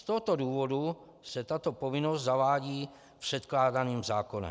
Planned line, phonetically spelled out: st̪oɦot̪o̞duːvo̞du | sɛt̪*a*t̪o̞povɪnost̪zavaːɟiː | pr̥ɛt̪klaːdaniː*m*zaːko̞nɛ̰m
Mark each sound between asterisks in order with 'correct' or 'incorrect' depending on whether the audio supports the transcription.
correct, correct

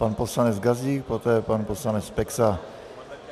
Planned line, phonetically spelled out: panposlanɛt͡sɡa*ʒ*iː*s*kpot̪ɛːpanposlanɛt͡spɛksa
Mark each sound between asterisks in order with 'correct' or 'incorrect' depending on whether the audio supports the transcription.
incorrect: z, incorrect: none

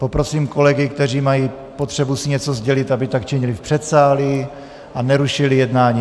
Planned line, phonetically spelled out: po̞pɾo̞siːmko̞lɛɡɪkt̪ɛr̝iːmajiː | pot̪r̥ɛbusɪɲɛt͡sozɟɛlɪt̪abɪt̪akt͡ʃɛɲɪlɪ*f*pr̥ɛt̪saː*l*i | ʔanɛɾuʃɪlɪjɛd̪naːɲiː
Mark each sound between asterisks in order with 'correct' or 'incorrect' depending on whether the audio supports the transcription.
correct, correct

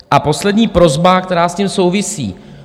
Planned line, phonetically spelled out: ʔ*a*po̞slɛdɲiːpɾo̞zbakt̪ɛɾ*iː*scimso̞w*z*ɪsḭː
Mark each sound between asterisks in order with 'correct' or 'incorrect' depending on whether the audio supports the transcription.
correct, incorrect: aː, incorrect: v

